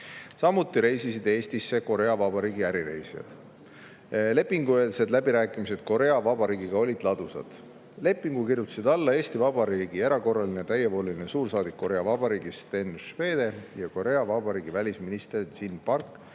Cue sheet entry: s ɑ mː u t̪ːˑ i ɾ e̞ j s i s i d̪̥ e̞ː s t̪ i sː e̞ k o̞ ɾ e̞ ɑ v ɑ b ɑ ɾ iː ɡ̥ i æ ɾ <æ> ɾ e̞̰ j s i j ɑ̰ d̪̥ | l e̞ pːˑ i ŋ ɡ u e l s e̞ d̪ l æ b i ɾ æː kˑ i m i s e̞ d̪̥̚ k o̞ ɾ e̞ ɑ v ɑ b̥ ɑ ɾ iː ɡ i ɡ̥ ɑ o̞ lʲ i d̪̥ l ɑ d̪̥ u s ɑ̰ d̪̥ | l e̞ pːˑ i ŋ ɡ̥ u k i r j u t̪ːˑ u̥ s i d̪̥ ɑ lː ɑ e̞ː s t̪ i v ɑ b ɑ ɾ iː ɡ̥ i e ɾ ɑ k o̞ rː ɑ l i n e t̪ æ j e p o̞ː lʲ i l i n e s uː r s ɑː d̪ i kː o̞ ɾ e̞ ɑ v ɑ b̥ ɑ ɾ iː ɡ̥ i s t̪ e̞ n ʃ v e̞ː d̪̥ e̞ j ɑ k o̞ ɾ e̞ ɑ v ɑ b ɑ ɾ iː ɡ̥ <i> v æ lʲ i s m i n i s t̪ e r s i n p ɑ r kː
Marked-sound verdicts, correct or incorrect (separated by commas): incorrect, correct